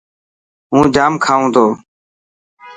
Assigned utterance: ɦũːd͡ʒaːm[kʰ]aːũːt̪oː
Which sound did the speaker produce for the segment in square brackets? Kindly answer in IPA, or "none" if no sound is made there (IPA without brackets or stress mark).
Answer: kʰ